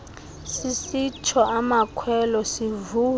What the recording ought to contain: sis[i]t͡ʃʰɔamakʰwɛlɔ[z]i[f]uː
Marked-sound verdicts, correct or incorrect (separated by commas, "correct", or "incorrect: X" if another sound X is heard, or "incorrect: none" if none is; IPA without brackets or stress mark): correct, incorrect: s, incorrect: v